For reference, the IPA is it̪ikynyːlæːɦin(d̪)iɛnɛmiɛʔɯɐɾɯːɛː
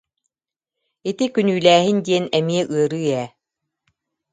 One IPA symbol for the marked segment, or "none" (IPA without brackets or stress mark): d̪